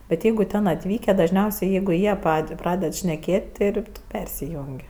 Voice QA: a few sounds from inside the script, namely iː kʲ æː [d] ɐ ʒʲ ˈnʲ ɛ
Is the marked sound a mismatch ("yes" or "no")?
no